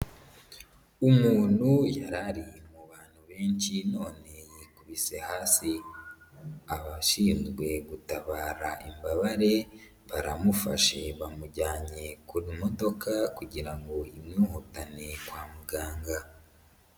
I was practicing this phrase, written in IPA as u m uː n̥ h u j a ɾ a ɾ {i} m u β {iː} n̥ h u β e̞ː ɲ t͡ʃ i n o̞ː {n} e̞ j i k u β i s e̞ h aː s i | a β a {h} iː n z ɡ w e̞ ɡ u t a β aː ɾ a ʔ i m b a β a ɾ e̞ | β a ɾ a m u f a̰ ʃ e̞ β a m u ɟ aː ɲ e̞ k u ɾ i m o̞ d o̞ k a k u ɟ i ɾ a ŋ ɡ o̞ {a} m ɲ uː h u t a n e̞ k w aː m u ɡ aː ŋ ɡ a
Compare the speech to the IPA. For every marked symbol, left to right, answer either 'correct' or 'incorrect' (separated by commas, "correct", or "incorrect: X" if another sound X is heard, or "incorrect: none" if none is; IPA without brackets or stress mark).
correct, incorrect: aː, correct, incorrect: ʃ, incorrect: i